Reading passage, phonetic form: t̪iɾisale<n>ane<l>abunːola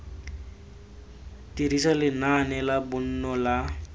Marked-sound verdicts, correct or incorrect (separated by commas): correct, correct